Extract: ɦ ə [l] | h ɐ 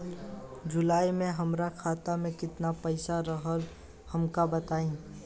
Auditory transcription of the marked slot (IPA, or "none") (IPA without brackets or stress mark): l